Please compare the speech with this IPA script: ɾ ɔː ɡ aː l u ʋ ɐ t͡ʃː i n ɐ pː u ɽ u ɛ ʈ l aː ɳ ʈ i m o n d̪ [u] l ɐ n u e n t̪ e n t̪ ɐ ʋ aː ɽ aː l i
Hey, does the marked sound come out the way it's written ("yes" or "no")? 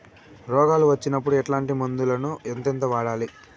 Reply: yes